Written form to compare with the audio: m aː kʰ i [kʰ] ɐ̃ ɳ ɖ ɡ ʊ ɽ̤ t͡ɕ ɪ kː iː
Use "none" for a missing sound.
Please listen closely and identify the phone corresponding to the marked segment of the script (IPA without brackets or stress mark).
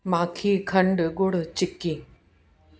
kʰ